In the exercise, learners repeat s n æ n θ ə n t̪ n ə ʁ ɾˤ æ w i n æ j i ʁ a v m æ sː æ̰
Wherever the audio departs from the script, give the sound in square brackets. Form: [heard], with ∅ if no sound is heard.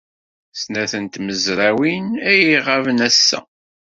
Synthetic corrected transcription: s n æ [∅] θ ə n t̪ [m] ə [z] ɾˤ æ w i n æ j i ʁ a v [n] æ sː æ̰